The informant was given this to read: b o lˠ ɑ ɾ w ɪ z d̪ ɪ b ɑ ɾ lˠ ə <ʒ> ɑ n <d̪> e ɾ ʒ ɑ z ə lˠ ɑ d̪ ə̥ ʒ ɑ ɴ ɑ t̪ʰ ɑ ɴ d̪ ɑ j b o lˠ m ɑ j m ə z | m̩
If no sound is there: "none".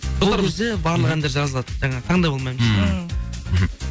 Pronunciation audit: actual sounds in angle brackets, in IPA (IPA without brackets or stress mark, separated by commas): ʁ, d̪